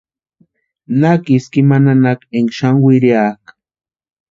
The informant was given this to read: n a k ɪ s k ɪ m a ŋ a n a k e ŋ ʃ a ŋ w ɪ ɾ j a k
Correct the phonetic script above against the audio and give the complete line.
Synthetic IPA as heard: n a k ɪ s k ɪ m a n a n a k e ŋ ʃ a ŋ w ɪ ɾ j a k